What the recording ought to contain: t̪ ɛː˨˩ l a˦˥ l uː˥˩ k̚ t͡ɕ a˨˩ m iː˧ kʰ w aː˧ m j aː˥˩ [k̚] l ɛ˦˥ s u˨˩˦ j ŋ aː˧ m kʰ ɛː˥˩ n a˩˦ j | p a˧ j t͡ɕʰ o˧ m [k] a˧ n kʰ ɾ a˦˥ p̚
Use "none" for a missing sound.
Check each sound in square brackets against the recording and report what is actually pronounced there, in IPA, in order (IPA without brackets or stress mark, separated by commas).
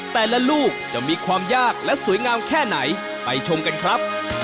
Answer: k̚, k